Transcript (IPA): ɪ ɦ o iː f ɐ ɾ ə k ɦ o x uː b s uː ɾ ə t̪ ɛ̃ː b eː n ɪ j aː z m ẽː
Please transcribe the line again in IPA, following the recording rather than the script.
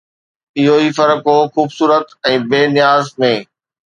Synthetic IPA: ɪ ɦ o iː f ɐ ɾ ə k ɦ o x uː b s uː ɾ ə t̪ ɛ̃ː b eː n ɪ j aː z m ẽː

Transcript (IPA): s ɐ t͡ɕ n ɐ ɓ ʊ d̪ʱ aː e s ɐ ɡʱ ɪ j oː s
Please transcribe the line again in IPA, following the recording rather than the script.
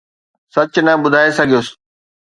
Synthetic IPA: s ɐ t͡ɕ n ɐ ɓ ʊ d̪ʱ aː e s ɐ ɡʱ i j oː s

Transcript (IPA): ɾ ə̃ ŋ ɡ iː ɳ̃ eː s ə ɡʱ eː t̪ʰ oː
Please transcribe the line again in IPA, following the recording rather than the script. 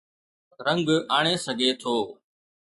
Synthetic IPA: ɾ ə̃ ŋ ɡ aː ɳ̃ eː s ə ɡʱ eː t̪ʰ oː

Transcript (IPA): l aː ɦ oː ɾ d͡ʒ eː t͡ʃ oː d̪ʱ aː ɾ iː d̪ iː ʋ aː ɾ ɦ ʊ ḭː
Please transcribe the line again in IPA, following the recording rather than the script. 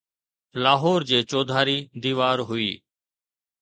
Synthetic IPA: l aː ɦ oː ɾ d͡ʒ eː t͡ʃ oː d̪ʱ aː ɾ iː d̪ iː ʋ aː ɾ ɦ ʊ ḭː

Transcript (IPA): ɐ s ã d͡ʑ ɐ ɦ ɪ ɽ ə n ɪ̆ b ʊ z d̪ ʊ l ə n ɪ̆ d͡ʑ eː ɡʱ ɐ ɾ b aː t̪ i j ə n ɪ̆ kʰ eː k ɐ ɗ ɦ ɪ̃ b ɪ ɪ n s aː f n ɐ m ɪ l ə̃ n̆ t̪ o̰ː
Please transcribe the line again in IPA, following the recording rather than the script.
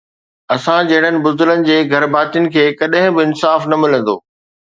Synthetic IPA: ɐ s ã d͡ʑ ɐ ɦ ɪ ɽ ə n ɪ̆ b ʊ z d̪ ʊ l ə n ɪ̆ d͡ʑ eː ɡʱ ɐ ɾ b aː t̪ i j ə n ɪ̆ kʰ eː k ɐ ɗ ɦ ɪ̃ b ɪ ɪ n s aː f n ɐ m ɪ l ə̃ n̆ d̪ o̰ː

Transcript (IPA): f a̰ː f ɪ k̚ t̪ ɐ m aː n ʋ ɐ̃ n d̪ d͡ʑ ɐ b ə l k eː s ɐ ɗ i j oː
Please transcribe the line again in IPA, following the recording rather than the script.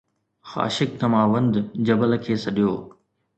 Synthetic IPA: x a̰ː ʃ ɪ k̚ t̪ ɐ m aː ʋ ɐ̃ n d̪ d͡ʑ ɐ b ə l kʰ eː s ɐ ɗ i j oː

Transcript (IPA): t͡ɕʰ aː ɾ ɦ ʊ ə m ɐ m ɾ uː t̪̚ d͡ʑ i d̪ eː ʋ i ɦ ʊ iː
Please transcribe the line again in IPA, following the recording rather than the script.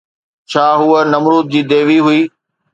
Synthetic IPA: t͡ɕʰ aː ɦ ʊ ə n ɐ m ɾ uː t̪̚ d͡ʑ iː d̪ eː ʋ i ɦ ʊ iː

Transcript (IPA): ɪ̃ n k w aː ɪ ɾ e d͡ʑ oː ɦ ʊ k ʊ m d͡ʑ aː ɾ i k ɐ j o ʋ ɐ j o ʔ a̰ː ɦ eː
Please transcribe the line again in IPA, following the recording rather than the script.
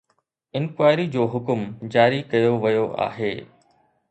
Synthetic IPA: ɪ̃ n k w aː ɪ ɾ i d͡ʑ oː ɦ ʊ k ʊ m d͡ʑ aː ɾ i k ɐ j o ʋ ɐ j o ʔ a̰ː ɦ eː

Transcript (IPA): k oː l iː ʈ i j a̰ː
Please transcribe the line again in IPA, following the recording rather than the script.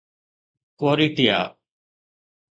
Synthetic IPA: k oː ɾ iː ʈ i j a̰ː

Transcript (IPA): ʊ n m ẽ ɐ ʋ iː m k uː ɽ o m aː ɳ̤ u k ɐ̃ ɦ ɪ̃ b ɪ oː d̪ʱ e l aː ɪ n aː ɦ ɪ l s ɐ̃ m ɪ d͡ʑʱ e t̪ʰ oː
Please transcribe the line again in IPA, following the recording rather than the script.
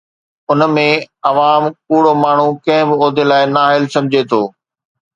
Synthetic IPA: ʊ n m ẽ ɐ ʋ aː m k uː ɽ o m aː ɳ̤ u k ɐ̃ ɦ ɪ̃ b ɪ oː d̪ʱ e l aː ɪ n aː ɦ ɪ l s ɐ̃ m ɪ d͡ʑʱ e t̪ʰ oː

